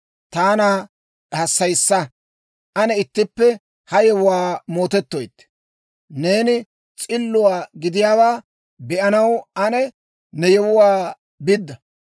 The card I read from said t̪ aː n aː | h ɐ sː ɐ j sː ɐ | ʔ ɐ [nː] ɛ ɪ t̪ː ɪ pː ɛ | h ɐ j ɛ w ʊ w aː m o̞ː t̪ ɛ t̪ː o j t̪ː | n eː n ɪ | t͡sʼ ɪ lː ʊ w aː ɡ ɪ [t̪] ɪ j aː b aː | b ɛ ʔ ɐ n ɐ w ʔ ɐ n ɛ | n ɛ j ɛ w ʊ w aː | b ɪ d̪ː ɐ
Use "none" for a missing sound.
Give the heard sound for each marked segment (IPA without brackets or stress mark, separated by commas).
n, d̪